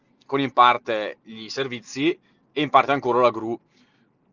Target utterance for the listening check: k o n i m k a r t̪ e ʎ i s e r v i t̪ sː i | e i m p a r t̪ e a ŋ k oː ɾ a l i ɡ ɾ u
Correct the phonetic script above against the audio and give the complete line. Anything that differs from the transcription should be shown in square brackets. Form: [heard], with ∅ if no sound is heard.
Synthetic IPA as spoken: k o n i m [p] a r t̪ e ʎ i s e r v i t̪ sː i | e i m p a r t̪ e a ŋ k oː ɾ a l [a] ɡ ɾ u